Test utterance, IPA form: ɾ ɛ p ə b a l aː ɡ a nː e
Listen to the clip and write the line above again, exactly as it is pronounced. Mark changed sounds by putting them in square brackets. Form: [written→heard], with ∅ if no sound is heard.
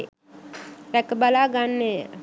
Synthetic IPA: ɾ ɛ [p→k] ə b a l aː ɡ a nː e